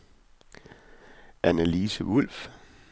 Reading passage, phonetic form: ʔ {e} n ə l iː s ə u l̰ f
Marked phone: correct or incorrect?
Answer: incorrect